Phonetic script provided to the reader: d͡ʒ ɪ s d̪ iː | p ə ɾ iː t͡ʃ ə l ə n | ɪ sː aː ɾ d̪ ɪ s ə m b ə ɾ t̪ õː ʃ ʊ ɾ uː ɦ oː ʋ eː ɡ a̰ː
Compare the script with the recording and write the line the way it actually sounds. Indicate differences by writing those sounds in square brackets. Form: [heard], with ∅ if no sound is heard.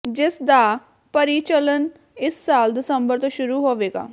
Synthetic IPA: d͡ʒ ɪ s d̪ [aː] | p ə ɾ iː t͡ʃ ə l ə n | ɪ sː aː [l] d̪ ɪ s ə m b ə ɾ t̪ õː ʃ ʊ ɾ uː ɦ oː ʋ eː ɡ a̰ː